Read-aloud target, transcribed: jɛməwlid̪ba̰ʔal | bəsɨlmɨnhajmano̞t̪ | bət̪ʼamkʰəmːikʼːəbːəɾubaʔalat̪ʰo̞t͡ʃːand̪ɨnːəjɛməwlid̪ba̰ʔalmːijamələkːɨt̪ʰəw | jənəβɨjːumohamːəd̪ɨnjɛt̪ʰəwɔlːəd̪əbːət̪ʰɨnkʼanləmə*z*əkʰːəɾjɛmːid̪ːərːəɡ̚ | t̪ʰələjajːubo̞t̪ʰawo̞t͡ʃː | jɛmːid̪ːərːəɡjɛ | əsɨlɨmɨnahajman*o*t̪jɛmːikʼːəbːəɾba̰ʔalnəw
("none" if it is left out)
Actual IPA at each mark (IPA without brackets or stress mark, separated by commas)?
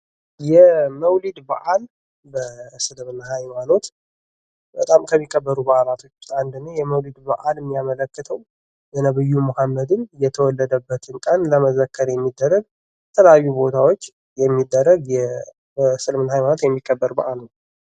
z, o